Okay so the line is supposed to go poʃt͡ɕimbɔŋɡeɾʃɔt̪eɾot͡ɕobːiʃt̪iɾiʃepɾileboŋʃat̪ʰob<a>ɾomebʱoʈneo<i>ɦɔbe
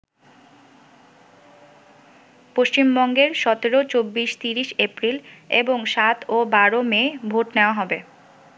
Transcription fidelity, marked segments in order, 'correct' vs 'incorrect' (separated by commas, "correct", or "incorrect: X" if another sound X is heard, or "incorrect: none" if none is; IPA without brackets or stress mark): correct, incorrect: a